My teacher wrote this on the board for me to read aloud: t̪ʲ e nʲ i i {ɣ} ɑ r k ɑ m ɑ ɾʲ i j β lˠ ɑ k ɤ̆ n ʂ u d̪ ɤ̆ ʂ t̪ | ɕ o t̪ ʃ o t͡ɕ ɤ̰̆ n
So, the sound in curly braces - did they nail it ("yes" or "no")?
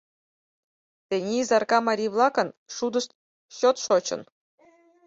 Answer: no